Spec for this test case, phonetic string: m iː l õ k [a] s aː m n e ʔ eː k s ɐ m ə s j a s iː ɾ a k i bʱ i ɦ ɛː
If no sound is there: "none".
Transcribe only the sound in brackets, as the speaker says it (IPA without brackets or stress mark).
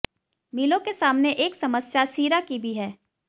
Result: e